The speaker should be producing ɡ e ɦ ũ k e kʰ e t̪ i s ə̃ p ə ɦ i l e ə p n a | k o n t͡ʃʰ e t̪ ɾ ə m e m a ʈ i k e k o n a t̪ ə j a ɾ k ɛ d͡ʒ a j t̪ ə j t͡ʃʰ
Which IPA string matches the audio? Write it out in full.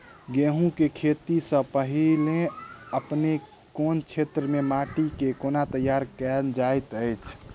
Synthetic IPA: ɡ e ɦ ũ k e kʰ e t̪ i s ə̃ p ə ɦ i l e ə p n e | k o n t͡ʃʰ e t̪ ɾ ə m e m a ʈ i k e k o n a t̪ ə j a ɾ k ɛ d͡ʒ a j t̪ ə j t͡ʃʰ